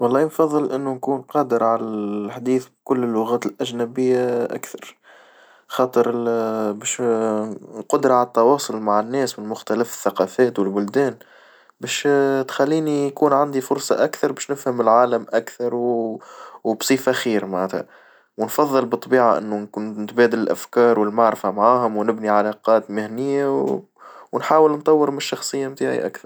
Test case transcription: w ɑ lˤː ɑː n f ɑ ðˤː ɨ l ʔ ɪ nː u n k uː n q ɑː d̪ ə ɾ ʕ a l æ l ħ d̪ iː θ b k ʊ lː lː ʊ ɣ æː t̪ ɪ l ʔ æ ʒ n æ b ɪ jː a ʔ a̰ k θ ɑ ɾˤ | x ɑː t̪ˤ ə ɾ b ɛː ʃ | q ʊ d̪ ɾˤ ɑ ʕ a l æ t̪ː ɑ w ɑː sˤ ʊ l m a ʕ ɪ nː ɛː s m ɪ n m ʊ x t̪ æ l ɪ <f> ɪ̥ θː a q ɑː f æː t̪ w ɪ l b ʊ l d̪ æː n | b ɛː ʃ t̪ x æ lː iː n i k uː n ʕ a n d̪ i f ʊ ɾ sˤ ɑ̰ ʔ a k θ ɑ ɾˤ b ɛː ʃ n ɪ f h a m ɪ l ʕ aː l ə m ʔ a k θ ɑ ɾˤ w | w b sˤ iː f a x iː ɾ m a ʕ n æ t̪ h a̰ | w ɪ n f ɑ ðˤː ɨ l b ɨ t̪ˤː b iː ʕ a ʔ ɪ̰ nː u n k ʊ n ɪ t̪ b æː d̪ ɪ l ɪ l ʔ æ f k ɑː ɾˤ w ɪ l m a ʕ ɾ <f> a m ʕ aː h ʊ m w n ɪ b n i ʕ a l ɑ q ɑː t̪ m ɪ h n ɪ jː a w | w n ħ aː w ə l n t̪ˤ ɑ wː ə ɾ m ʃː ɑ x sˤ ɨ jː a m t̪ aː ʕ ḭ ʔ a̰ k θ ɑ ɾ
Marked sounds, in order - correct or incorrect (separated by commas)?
correct, correct